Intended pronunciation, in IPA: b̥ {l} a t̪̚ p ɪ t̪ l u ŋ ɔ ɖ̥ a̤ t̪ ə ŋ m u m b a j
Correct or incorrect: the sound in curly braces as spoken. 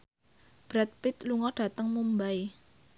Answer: incorrect: ɾ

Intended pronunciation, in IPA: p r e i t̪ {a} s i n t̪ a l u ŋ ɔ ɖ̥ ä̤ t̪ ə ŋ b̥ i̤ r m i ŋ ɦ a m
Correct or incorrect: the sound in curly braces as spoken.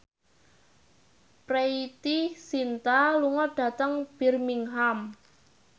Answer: incorrect: i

